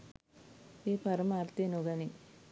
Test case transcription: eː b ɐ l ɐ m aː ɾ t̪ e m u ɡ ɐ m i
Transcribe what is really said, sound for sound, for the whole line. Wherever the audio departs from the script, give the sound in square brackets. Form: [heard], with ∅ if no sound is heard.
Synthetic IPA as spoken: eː [p] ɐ [ɾ] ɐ m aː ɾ t̪ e [n] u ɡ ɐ [n] i